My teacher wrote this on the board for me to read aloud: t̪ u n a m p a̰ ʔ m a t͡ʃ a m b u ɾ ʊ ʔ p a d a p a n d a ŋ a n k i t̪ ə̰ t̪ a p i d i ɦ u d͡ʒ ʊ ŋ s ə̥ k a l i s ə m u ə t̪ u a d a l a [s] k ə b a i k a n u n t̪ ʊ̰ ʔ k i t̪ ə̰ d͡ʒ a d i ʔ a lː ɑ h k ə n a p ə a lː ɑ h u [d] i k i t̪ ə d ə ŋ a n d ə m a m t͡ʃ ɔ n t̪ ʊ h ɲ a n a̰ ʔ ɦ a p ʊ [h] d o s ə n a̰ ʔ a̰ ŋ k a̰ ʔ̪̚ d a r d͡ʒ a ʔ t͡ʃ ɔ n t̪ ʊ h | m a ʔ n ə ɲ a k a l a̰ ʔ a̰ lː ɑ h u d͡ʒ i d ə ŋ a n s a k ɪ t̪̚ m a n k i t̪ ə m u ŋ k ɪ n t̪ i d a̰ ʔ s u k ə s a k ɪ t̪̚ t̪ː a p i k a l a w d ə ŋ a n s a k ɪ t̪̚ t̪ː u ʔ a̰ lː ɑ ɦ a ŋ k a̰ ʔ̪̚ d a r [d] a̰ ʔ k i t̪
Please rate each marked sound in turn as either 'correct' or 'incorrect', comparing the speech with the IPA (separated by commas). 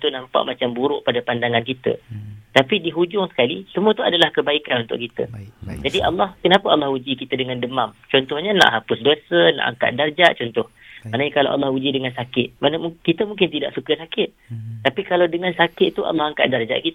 incorrect, incorrect, incorrect, incorrect